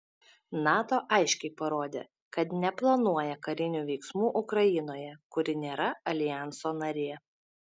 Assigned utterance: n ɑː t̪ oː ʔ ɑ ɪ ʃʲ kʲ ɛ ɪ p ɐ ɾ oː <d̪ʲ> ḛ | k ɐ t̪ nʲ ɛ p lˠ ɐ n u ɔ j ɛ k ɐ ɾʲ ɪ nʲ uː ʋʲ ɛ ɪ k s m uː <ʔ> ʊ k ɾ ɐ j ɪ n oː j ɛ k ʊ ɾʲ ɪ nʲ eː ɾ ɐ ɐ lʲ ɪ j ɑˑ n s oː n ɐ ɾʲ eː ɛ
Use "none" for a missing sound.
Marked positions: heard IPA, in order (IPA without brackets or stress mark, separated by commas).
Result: d̪ʲ, ʔ